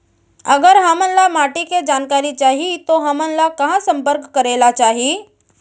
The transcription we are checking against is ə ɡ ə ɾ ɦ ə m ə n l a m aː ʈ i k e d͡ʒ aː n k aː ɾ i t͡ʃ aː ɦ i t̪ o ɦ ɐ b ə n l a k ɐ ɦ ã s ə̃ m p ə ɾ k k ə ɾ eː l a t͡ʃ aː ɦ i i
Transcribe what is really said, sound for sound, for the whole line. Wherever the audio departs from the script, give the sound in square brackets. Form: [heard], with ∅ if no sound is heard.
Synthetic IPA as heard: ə ɡ ə ɾ ɦ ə m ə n l a m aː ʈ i k e d͡ʒ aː n k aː ɾ i t͡ʃ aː ɦ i t̪ o ɦ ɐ [m] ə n l a k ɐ ɦ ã s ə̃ m p ə ɾ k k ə ɾ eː l a t͡ʃ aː ɦ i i